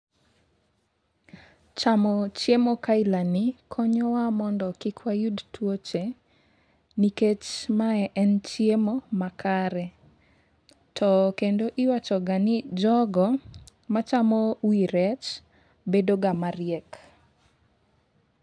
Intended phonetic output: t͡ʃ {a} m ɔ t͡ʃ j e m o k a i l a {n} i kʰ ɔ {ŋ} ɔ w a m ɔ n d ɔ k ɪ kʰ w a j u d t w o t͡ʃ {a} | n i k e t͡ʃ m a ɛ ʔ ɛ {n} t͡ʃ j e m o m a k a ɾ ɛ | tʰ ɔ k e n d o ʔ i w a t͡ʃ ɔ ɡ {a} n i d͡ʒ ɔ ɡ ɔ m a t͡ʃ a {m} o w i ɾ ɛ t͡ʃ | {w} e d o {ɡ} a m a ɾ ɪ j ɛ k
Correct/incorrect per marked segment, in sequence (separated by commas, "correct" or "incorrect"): correct, correct, incorrect, incorrect, correct, correct, correct, incorrect, correct